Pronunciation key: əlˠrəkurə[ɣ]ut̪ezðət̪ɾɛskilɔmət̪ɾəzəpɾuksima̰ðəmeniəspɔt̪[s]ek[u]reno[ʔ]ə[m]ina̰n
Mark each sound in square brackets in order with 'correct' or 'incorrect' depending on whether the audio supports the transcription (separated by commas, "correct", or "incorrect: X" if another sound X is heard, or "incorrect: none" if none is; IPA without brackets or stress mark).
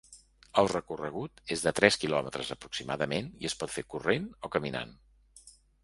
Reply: correct, incorrect: f, correct, incorrect: k, correct